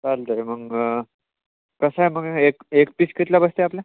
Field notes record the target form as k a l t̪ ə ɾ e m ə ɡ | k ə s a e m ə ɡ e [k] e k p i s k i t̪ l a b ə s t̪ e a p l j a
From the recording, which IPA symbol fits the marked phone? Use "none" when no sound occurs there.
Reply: k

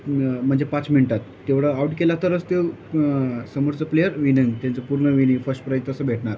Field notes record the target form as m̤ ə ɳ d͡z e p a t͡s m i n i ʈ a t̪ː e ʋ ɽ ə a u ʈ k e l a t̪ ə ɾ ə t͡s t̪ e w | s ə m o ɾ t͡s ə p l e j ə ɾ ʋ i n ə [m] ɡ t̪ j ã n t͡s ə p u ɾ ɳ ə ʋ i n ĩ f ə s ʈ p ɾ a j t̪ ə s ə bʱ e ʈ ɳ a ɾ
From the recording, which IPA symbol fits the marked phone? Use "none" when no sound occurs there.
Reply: ŋ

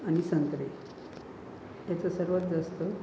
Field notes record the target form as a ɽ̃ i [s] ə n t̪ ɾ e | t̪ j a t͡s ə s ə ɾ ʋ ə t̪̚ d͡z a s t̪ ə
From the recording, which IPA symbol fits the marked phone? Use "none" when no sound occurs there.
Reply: s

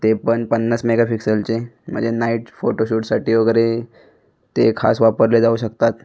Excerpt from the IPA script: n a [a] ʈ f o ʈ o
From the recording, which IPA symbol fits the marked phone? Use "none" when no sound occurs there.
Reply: i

